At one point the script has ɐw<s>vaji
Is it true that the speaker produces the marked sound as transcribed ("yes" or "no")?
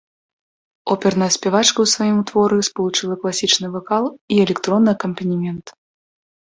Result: yes